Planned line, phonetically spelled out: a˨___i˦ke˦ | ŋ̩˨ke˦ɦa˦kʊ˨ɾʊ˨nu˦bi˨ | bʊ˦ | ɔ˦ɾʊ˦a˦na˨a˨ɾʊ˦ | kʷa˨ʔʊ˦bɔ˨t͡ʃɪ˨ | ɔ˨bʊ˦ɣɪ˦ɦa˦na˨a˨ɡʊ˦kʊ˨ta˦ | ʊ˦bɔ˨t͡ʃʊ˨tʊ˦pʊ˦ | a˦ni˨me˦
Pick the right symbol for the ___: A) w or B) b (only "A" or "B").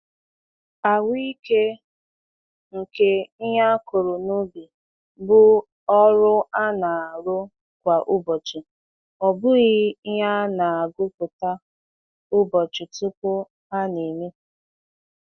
A